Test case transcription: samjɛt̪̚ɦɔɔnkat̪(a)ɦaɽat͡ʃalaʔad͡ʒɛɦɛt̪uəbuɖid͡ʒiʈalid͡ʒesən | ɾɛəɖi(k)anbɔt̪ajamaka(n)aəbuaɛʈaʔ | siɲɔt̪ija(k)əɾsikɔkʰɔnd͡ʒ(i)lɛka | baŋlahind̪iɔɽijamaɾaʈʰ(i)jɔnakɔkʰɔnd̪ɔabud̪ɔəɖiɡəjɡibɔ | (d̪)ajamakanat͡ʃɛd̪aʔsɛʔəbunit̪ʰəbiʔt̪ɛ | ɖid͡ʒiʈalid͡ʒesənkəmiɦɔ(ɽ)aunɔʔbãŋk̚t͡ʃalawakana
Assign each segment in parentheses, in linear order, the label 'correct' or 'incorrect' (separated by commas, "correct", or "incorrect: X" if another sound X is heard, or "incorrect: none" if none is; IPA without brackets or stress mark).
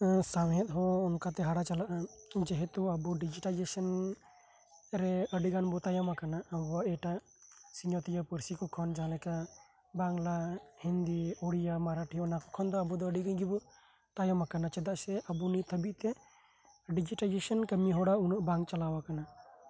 incorrect: ɛ, incorrect: ɡ, correct, incorrect: p, incorrect: a, correct, incorrect: t̪, correct